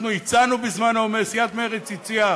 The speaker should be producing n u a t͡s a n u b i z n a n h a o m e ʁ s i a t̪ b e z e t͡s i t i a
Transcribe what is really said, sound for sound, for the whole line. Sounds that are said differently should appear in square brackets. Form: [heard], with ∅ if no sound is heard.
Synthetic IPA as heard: n u [i] t͡s a n u b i z [m] a n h a o m e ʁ s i a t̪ [m] e [ʁ] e t͡s i [t͡s] i a